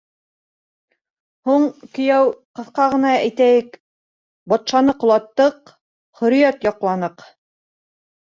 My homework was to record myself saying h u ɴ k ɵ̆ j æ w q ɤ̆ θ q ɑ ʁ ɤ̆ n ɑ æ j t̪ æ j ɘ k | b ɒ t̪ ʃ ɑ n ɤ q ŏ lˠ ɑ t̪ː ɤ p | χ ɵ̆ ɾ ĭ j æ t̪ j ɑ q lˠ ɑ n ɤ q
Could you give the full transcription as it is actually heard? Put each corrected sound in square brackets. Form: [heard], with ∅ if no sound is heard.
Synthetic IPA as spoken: h u ɴ k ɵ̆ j æ w q ɤ̆ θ q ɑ ʁ ɤ̆ n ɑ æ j t̪ æ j ɘ k | b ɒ t̪ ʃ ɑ n ɤ q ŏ lˠ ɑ t̪ː ɤ [q] | χ ɵ̆ ɾ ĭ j æ t̪ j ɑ q lˠ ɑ n ɤ q